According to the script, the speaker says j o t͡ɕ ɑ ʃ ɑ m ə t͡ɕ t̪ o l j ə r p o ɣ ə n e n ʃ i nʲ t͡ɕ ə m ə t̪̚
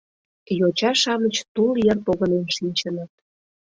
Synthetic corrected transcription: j o t͡ɕ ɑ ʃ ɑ m ə t͡ɕ t̪ u l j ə r p o ɣ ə n e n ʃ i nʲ t͡ɕ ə n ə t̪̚